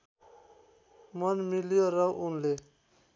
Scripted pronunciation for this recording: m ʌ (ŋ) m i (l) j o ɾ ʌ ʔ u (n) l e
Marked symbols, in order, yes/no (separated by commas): no, yes, yes